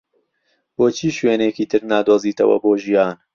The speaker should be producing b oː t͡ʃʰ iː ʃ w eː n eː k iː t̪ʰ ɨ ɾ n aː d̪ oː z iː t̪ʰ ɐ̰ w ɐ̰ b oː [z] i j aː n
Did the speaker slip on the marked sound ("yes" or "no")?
yes